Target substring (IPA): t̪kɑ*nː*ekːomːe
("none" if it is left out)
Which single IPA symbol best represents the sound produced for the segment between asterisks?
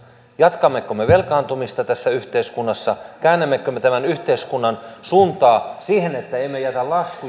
mː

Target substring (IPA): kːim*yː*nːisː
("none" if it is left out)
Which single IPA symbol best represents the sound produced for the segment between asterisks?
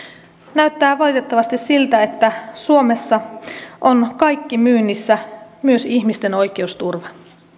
yː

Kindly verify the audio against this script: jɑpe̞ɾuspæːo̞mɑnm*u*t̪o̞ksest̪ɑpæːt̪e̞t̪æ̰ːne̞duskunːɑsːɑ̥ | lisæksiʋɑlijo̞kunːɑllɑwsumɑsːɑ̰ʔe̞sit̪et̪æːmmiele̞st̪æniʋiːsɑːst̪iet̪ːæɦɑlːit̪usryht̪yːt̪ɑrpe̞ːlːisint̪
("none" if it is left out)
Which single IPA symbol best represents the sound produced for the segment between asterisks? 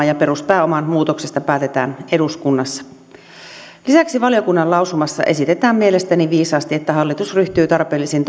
uː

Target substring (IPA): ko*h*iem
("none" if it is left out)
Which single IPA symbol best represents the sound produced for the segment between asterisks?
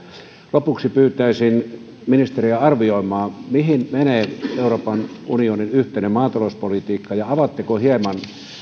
h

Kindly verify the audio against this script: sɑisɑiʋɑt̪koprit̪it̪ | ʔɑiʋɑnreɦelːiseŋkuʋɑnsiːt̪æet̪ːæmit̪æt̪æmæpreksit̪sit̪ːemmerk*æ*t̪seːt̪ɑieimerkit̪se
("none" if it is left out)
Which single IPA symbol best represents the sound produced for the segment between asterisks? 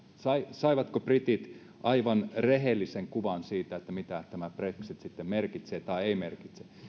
i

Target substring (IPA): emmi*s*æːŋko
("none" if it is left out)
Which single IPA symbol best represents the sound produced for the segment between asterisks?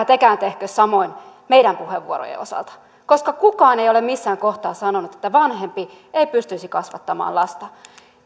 sː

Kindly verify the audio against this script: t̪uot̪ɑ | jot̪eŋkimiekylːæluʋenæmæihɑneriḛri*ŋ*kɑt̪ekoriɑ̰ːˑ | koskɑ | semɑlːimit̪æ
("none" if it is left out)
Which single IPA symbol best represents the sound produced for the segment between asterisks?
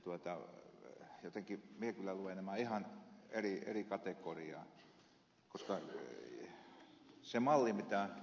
none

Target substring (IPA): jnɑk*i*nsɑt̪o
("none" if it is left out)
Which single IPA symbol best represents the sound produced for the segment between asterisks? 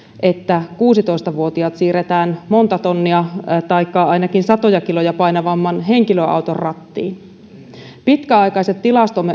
i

